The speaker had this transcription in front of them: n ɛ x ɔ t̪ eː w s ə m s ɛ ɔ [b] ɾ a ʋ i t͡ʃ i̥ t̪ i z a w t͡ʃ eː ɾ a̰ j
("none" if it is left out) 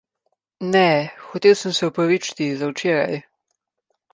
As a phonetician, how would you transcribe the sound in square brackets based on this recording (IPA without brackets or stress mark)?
p